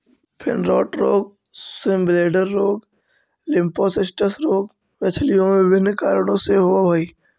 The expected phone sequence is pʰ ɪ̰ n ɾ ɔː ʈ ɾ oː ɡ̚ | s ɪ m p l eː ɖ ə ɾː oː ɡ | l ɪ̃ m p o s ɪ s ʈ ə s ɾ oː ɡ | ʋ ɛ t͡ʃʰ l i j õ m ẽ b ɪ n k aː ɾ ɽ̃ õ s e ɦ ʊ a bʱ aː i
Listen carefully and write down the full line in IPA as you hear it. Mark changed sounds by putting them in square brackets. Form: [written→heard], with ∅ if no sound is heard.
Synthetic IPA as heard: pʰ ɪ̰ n ɾ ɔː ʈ ɾ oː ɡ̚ | s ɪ m [p→b] l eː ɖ ə ɾː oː ɡ | l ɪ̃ m p o s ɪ s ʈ ə s ɾ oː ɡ | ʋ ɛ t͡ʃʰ l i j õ m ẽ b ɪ n k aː ɾ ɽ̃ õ s e ɦ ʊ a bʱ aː i

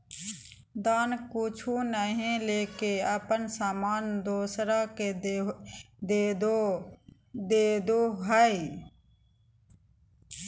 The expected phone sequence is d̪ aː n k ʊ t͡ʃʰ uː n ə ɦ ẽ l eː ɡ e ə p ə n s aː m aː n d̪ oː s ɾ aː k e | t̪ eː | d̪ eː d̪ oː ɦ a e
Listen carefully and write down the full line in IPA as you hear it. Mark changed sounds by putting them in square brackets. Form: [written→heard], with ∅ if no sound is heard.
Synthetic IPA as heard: d̪ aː n k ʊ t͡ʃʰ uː n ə ɦ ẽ l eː [ɡ→k] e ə p ə n s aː m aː n d̪ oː s ɾ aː k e | [t̪→d̪] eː | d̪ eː d̪ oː ɦ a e

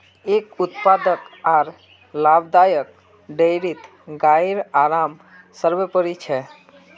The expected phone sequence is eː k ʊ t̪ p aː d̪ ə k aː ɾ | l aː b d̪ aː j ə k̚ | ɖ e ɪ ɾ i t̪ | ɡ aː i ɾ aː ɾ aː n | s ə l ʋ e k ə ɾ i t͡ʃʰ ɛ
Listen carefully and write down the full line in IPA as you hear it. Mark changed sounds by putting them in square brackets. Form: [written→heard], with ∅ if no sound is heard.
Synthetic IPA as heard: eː k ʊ t̪ p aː d̪ ə k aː ɾ | l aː b d̪ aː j ə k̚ | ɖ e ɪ ɾ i t̪ | ɡ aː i ɾ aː ɾ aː [n→m] | s ə [l→ɾ] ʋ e [k→p] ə ɾ i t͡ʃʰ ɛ

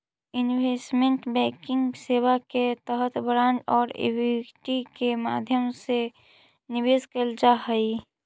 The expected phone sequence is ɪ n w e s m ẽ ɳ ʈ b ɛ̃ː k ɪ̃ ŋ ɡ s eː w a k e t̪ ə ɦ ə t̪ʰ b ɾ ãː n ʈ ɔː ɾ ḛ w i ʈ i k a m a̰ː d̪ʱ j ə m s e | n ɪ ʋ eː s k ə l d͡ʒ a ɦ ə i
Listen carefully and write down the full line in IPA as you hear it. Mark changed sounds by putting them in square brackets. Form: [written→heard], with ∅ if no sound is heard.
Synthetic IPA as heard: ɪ n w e s m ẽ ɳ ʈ b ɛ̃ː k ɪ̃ ŋ ɡ s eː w a k e t̪ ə ɦ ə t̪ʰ b ɾ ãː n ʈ ɔː ɾ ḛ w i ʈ i k [a→e] m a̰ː d̪ʱ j ə m s e | n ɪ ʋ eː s k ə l d͡ʒ a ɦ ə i

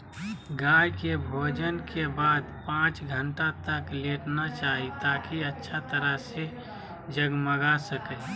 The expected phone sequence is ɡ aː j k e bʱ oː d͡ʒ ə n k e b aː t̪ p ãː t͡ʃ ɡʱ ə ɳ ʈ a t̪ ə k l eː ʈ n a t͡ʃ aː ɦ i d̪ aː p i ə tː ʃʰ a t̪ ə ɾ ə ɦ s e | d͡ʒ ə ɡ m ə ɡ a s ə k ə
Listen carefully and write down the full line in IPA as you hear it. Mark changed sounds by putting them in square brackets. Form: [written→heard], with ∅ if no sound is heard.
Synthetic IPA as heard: ɡ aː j k e bʱ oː d͡ʒ ə n k e b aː [t̪→d̪] p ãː t͡ʃ ɡʱ ə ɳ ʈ a t̪ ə k l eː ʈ n a t͡ʃ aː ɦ i [d̪→t̪] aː [p→k] i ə tː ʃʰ a t̪ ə ɾ ə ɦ s e | d͡ʒ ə ɡ m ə ɡ a s ə k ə

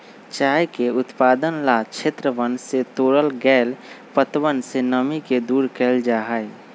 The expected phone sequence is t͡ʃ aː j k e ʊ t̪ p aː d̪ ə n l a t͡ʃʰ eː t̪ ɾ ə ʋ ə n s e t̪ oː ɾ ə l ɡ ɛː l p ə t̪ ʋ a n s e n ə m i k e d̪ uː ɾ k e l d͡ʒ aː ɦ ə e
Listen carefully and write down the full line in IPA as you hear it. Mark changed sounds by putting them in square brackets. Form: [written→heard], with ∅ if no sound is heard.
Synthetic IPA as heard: t͡ʃ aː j k e ʊ t̪ p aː d̪ ə n l a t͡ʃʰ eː t̪ ɾ ə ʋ ə n s e t̪ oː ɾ ə l ɡ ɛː l p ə t̪ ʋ [a→ə] n s e n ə m i k e d̪ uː ɾ k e l d͡ʒ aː ɦ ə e

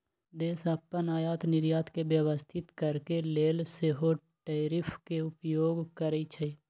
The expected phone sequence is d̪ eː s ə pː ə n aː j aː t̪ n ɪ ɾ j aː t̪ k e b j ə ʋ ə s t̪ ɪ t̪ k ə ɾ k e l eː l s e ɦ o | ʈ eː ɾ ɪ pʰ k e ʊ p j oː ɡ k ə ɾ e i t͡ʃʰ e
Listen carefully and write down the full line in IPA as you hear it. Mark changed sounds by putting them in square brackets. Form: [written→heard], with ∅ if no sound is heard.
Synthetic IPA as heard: d̪ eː s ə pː ə n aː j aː t̪ n ɪ ɾ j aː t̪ k e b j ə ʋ ə s [t̪→t̪ʰ] ɪ t̪ k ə ɾ k e l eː l s e ɦ o | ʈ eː ɾ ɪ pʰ k e ʊ p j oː ɡ k ə ɾ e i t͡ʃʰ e

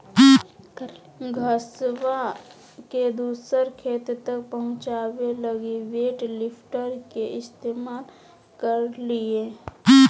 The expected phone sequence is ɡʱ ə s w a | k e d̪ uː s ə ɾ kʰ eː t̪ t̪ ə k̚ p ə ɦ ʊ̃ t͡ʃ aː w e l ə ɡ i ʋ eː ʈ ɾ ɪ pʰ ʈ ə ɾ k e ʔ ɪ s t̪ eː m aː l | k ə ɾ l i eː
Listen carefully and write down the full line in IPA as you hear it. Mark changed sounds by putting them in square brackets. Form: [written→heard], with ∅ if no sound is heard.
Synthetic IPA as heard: ɡʱ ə s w a | k e d̪ uː s ə ɾ kʰ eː t̪ t̪ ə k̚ p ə ɦ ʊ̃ t͡ʃ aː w e l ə ɡ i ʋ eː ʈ [ɾ→l] ɪ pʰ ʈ ə ɾ k e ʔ ɪ s t̪ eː m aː l | k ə ɾ l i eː

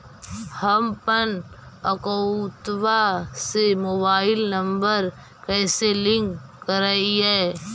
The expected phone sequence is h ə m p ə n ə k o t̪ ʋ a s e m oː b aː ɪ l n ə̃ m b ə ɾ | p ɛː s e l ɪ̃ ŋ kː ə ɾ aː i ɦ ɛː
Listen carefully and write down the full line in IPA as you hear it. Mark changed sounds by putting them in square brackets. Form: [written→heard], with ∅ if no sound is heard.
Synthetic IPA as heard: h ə m p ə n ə k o t̪ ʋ a s e m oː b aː ɪ l n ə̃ m b ə ɾ | [p→k] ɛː s e l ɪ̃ ŋ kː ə ɾ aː i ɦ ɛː

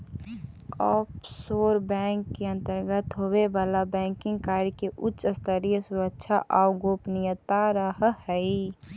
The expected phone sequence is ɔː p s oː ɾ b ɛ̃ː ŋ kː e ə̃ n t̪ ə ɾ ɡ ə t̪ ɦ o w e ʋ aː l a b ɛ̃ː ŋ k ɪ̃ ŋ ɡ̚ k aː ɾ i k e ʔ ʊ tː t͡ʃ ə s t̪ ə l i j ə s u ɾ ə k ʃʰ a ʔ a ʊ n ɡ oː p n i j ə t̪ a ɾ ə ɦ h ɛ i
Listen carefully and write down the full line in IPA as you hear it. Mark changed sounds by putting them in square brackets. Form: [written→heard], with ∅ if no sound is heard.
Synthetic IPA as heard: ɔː p s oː ɾ b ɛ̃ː ŋ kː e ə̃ n t̪ ə ɾ ɡ ə t̪ ɦ o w e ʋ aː l a b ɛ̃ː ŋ k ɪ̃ ŋ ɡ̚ k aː ɾ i k e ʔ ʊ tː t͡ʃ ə s t̪ ə [l→ɾ] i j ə s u ɾ ə k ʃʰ a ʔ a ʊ [n→∅] ɡ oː p n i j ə t̪ a ɾ ə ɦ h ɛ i

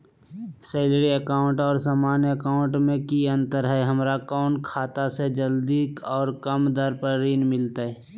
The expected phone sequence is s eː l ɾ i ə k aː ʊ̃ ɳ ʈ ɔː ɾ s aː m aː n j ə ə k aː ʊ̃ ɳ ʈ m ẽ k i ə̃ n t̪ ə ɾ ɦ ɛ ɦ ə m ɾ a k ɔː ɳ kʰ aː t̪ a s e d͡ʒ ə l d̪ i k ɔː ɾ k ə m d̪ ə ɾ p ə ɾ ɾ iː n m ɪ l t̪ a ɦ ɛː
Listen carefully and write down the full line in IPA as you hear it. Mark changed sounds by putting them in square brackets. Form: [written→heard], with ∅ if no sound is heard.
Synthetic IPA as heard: s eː l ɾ i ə k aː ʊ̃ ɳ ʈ ɔː ɾ s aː m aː n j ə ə k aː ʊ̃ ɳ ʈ m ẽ k i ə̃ n t̪ ə ɾ ɦ ɛ ɦ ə m ɾ a k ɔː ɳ kʰ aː t̪ a s e d͡ʒ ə l d̪ i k ɔː ɾ k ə m d̪ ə ɾ p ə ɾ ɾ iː n m ɪ l t̪ a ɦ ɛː

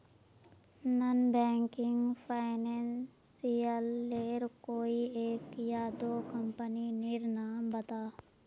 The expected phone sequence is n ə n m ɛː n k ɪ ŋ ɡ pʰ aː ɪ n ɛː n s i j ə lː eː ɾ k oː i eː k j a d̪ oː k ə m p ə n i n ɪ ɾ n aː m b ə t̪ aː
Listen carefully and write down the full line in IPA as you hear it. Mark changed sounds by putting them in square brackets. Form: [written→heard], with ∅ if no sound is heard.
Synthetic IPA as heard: n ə n [m→b] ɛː [n→ŋ] k ɪ ŋ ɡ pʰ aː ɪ n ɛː n s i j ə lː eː ɾ k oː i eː k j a d̪ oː k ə m p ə n i n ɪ ɾ n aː m b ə t̪ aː

